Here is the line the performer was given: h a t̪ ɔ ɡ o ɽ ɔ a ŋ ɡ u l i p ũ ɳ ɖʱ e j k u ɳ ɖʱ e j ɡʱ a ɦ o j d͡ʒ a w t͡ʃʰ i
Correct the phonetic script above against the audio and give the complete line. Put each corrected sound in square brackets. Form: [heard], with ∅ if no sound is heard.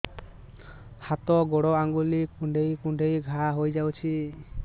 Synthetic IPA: h a t̪ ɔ ɡ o ɽ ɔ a ŋ ɡ u l i [k] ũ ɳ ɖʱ e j k u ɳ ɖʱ e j ɡʱ a ɦ o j d͡ʒ a w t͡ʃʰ i